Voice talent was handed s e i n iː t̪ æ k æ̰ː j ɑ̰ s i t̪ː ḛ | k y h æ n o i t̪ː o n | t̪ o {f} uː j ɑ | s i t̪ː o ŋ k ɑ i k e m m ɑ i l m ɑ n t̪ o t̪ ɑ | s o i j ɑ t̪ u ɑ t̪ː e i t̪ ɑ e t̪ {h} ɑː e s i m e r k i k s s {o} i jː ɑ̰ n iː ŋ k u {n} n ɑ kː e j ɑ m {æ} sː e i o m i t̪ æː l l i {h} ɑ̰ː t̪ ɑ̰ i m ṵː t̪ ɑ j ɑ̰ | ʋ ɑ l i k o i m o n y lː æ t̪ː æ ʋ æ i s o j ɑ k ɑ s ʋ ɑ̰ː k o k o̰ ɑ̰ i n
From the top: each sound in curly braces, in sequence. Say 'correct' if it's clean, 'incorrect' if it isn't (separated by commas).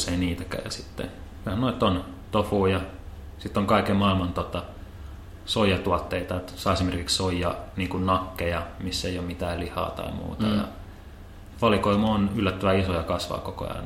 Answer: correct, incorrect, correct, correct, incorrect, correct